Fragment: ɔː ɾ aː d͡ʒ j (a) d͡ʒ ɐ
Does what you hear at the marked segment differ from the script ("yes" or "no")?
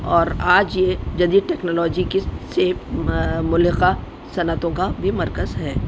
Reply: yes